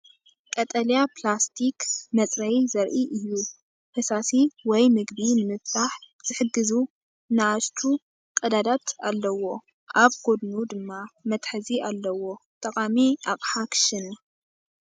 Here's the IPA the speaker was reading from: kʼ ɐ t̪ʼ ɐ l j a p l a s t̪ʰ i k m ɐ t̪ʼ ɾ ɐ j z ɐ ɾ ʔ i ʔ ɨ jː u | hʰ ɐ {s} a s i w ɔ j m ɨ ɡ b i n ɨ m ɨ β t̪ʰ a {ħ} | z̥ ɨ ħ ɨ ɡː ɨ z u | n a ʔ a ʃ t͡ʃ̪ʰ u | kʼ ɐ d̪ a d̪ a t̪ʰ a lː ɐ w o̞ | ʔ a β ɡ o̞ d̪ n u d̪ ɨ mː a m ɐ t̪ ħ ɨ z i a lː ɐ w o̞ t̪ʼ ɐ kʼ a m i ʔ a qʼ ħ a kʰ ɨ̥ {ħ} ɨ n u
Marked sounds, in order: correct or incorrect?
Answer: correct, correct, incorrect

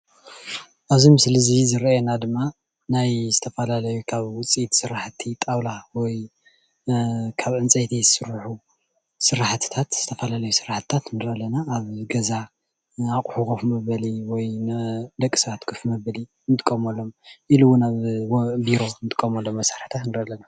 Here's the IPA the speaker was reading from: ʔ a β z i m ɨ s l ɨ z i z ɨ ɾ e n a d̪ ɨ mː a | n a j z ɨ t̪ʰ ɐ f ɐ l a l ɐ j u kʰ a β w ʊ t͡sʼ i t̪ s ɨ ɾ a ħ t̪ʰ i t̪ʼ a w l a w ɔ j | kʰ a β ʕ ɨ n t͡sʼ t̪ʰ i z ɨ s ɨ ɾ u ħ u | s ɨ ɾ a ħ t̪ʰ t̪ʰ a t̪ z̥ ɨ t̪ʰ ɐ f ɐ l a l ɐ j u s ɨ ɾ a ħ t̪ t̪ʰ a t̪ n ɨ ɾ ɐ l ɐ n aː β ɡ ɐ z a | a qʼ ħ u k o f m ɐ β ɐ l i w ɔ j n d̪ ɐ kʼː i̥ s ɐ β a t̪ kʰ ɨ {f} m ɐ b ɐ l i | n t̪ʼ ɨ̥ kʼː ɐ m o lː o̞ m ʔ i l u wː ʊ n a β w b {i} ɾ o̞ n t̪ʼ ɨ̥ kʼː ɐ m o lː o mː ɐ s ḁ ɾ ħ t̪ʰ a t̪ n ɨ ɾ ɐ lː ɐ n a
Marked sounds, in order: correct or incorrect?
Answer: correct, correct

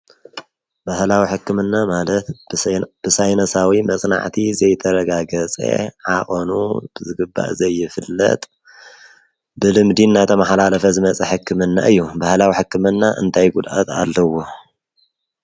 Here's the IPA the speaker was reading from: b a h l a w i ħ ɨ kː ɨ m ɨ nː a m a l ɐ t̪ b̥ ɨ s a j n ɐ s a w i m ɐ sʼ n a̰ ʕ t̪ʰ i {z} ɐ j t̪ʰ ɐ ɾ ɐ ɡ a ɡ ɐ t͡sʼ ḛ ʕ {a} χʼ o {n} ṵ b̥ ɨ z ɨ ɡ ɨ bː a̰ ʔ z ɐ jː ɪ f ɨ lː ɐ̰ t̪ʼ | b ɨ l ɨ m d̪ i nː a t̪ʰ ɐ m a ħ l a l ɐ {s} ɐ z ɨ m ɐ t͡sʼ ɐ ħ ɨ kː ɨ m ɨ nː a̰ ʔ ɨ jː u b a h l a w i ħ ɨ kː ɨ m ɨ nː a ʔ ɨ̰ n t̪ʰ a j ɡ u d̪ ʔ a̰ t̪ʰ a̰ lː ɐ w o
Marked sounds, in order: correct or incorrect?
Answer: correct, correct, correct, incorrect

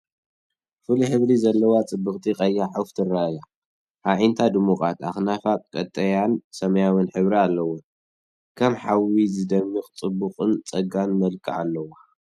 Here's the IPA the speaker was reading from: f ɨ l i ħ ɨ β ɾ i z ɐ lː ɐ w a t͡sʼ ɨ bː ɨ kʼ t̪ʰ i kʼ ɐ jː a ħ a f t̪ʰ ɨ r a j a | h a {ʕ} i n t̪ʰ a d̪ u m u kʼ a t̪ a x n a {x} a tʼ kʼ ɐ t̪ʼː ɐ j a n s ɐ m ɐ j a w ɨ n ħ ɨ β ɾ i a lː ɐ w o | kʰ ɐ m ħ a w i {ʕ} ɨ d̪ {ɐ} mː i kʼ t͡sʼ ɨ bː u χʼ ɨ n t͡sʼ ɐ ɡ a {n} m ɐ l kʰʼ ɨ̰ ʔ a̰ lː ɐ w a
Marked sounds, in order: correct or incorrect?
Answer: correct, incorrect, incorrect, correct, correct

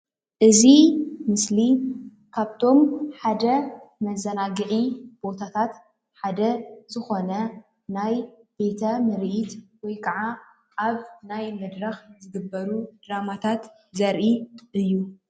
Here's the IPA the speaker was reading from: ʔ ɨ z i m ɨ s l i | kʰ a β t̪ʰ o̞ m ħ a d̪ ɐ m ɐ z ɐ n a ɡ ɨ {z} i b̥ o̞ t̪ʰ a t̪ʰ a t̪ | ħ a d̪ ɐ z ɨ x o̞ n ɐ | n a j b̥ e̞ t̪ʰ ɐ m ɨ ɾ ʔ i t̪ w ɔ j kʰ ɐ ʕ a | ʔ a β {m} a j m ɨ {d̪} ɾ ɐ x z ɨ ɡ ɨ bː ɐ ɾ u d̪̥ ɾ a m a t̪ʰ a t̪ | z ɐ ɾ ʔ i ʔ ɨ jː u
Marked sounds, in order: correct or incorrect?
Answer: incorrect, incorrect, correct

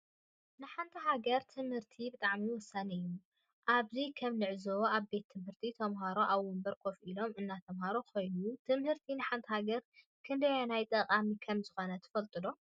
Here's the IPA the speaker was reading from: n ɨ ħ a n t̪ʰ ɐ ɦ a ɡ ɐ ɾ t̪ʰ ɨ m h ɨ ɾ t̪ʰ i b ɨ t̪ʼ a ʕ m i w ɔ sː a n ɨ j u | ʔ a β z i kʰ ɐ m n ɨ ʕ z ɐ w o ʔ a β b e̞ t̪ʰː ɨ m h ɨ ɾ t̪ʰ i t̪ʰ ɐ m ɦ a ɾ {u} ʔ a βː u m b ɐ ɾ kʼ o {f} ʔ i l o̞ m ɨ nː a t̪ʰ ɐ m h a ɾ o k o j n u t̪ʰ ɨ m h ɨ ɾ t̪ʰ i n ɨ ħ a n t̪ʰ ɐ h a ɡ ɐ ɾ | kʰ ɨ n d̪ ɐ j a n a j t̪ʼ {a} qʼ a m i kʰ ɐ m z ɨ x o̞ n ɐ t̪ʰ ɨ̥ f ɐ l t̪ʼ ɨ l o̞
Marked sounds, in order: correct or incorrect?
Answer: incorrect, correct, incorrect

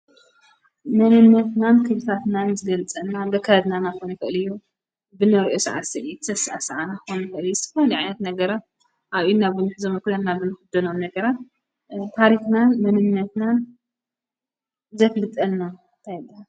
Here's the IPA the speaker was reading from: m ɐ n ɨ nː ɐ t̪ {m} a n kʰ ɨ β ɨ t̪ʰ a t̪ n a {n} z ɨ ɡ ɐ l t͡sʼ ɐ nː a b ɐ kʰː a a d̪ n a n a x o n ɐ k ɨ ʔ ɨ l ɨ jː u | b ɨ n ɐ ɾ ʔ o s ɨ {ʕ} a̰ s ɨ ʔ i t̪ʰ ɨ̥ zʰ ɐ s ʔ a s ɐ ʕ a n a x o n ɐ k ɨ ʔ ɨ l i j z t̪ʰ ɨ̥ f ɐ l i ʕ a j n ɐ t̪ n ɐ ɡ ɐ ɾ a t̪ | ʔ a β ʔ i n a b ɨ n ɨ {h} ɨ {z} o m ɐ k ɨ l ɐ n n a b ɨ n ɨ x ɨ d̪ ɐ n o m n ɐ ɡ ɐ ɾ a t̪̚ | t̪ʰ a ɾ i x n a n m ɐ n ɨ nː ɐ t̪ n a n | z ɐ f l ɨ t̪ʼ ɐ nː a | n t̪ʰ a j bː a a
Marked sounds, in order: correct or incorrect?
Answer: incorrect, correct, correct, incorrect, correct

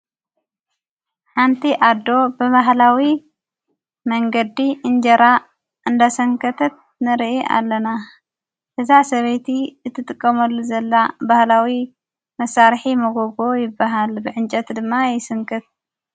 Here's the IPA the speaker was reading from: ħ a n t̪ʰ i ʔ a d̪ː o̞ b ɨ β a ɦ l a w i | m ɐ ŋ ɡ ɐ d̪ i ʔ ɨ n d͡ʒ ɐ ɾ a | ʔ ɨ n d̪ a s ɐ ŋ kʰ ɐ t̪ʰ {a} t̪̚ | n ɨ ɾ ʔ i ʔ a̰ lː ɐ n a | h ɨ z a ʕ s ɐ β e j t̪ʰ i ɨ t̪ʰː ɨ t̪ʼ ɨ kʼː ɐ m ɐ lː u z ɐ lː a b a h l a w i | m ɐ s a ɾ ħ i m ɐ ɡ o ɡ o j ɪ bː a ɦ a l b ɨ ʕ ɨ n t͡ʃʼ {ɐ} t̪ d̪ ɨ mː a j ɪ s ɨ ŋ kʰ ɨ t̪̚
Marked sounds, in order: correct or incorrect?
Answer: incorrect, correct

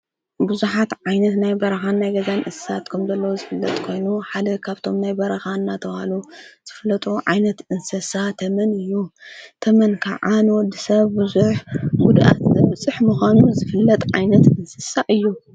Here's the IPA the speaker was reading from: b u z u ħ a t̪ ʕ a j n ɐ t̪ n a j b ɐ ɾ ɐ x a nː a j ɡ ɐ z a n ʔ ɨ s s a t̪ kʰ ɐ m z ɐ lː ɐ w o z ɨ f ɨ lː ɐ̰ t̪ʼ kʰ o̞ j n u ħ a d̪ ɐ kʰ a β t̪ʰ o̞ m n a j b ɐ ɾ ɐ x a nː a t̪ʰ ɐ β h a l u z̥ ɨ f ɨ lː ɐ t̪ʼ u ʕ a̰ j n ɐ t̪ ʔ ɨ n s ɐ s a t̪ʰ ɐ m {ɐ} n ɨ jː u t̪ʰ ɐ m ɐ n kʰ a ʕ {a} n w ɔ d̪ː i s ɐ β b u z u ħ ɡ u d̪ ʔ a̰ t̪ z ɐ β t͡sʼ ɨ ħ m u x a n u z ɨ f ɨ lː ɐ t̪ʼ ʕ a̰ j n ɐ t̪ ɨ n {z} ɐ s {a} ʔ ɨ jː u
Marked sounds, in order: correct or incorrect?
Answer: correct, correct, incorrect, correct

